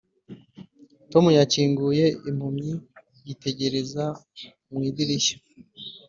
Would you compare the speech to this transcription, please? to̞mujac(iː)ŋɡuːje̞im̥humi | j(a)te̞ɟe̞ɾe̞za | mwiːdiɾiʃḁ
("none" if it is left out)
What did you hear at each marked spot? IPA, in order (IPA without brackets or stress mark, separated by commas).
iː, i